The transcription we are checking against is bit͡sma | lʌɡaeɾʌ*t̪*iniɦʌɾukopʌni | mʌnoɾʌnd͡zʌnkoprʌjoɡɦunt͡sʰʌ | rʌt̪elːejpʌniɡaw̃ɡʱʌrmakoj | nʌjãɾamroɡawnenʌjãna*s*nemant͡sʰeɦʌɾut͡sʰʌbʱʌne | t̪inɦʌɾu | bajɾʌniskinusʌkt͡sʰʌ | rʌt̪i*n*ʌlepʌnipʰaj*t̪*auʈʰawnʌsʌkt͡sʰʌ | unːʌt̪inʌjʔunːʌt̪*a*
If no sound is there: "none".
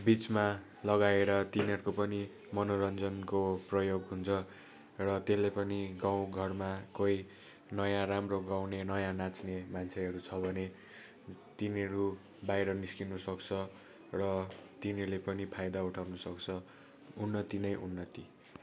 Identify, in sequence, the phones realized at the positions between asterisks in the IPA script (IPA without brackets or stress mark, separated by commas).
t̪, t͡s, n, d̪, i